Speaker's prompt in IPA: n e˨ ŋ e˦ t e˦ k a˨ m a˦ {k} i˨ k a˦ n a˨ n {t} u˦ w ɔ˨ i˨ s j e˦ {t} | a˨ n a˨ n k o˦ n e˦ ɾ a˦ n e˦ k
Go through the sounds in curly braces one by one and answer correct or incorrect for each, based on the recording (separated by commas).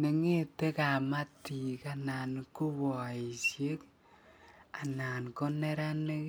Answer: incorrect, incorrect, incorrect